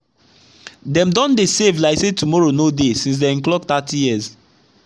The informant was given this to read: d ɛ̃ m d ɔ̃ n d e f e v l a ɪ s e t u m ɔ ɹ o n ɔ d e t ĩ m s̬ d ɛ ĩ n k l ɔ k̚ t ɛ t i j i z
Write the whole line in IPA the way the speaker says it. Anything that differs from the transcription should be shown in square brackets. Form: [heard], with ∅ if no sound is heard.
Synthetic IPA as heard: d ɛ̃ m d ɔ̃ n d e [s] e v l a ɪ s e t u m ɔ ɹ o n [o] d e [s] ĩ [n] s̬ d ɛ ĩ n k l ɔ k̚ t [a] t i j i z